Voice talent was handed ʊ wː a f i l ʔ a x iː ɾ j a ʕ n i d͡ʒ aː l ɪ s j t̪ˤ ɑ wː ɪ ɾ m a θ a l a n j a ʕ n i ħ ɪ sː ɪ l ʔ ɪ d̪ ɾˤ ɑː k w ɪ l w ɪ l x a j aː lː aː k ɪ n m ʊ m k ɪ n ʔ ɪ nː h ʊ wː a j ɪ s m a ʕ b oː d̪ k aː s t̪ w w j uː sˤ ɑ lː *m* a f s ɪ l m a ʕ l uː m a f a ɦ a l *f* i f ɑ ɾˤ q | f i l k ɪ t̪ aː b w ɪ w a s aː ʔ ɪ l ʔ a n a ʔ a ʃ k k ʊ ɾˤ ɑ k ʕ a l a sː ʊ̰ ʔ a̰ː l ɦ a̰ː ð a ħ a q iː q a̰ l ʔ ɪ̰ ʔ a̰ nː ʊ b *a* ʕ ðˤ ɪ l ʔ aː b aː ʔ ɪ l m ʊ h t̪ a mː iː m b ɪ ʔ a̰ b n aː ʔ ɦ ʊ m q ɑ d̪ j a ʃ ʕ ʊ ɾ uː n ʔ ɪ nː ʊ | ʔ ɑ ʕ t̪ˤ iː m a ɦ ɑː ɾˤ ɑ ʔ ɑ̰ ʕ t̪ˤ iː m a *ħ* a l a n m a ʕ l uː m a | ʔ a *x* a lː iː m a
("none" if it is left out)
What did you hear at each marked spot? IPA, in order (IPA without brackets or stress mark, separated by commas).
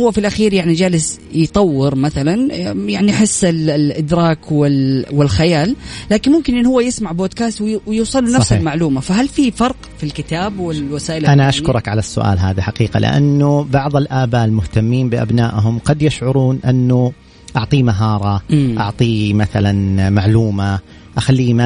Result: n, f, ɑ, θ, x